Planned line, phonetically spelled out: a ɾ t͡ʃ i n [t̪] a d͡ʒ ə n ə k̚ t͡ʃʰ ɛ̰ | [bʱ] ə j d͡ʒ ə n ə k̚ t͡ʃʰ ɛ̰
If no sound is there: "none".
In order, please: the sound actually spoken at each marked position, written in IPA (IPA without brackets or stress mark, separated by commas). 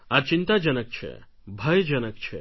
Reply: t̪, bʱ